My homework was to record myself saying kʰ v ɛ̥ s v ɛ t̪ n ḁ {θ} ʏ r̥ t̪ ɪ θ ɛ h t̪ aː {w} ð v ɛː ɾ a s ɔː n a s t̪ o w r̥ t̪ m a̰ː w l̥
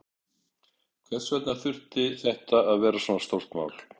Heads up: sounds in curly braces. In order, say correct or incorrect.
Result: correct, incorrect

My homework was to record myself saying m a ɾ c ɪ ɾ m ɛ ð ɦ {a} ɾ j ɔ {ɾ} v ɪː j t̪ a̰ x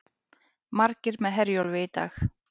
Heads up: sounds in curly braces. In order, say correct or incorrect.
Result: incorrect, incorrect

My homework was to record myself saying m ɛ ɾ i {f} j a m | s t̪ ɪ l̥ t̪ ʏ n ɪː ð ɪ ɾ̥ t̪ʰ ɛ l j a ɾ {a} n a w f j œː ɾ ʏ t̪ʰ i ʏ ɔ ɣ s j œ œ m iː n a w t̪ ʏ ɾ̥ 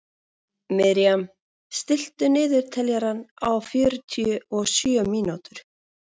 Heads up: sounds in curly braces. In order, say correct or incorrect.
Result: incorrect, correct

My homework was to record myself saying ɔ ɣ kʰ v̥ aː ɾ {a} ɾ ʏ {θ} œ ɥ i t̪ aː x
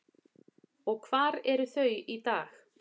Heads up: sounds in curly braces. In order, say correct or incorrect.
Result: incorrect, correct

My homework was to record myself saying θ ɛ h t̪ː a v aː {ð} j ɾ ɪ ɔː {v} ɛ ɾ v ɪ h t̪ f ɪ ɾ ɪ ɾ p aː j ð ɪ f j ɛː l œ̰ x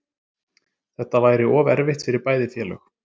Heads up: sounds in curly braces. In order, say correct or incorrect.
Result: incorrect, correct

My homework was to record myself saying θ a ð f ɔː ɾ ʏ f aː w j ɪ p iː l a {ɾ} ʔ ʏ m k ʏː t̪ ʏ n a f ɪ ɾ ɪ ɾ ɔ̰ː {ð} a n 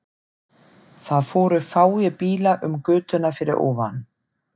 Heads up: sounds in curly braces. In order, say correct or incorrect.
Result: incorrect, incorrect

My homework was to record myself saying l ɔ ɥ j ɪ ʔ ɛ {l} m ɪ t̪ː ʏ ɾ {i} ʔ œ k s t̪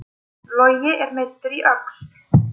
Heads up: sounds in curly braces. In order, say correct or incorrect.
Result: incorrect, correct

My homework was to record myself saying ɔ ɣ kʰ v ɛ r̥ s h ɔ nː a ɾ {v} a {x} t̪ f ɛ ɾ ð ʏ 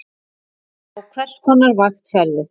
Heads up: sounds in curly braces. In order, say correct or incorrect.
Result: correct, correct

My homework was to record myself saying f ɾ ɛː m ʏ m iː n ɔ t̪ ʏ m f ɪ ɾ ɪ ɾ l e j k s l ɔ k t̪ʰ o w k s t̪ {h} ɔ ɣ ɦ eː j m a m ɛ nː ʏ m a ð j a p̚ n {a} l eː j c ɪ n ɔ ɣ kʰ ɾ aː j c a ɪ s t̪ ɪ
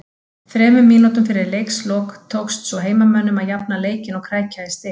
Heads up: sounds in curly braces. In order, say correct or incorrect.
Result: incorrect, correct

